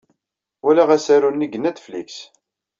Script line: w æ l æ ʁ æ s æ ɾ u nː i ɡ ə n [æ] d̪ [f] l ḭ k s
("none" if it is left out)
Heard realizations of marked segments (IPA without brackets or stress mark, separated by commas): æ, f